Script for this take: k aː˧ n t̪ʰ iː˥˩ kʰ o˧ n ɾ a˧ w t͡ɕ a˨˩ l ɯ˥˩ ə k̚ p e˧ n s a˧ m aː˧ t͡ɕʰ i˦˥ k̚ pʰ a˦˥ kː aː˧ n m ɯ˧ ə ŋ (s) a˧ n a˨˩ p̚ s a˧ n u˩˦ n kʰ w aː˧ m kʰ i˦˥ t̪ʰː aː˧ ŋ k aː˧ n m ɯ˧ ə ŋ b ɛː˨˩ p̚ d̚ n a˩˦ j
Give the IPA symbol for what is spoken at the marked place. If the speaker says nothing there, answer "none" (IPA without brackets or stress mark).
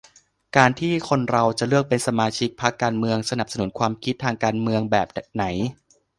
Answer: s